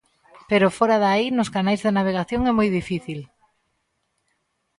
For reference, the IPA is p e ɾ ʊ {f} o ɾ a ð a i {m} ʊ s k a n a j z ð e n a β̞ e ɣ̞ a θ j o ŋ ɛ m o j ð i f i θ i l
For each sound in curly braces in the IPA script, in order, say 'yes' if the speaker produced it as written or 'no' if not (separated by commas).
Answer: yes, no